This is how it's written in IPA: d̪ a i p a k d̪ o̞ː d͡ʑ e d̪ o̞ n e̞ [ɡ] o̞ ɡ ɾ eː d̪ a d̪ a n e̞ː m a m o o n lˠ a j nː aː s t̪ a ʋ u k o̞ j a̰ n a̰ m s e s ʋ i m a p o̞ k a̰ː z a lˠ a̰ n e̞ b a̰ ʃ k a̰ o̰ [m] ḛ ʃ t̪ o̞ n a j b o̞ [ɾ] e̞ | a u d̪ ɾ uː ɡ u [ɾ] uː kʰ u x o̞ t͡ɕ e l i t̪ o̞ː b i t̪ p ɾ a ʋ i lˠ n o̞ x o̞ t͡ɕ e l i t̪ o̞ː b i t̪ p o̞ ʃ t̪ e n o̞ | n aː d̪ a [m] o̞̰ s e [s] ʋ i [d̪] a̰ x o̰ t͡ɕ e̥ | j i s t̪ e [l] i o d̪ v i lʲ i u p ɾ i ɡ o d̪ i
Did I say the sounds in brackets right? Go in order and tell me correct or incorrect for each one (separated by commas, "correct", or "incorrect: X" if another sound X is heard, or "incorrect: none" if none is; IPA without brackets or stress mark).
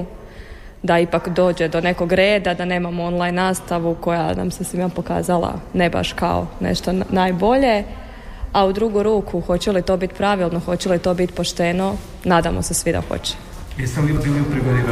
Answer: incorrect: k, incorrect: n, incorrect: ʎ, correct, correct, correct, correct, correct